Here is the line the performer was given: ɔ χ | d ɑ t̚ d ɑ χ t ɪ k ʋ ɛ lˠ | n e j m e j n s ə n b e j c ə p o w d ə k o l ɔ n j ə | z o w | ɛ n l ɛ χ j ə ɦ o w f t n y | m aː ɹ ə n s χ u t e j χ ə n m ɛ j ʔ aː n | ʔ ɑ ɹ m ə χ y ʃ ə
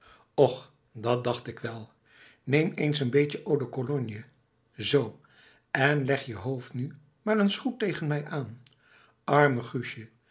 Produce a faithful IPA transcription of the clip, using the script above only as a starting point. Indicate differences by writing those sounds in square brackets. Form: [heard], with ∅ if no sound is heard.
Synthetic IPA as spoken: ɔ χ | d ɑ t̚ d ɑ χ t ɪ k ʋ ɛ lˠ | n e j m e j n s ə n b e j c ə [ʔ] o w d ə k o l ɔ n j ə | z o w | ɛ n l ɛ χ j ə ɦ o w f t n y | m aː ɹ ə n s χ u t e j χ ə n m ɛ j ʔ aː n | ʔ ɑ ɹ m ə χ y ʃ ə